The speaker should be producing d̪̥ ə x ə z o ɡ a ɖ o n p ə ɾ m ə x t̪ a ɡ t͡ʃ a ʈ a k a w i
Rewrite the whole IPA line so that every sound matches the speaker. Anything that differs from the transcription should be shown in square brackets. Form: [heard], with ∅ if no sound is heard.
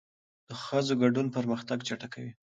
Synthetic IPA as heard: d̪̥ ə x ə z o ɡ a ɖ [u] n p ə ɾ m ə x t̪ a ɡ t͡ʃ a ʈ a k a w i